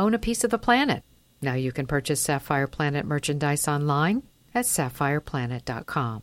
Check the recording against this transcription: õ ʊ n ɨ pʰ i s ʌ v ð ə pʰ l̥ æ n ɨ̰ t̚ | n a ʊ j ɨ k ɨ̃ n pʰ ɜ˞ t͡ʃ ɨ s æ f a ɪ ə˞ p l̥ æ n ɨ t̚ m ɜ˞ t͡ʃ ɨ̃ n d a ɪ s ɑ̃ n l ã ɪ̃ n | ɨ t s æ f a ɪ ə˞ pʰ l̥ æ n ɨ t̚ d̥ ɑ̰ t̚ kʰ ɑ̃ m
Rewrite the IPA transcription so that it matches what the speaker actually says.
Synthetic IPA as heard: õ ʊ̃ n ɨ pʰ i s ʌ v ð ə pʰ l̥ æ n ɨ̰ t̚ | n a ʊ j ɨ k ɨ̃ n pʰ ɜ˞ t͡ʃ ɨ s æ f a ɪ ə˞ pʰ l̥ æ n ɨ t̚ m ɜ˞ t͡ʃ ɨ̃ n d a ɪ s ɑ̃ n l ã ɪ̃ n | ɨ t s æ f a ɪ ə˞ pʰ l̥ æ n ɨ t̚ d̥ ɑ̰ t̚ kʰ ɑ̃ m